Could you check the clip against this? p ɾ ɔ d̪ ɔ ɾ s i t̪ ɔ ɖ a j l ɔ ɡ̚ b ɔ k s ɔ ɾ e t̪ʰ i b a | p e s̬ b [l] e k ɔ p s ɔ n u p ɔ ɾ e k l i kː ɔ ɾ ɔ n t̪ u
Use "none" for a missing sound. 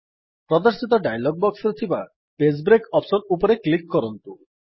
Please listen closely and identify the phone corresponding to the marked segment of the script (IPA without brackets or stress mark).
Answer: ɾ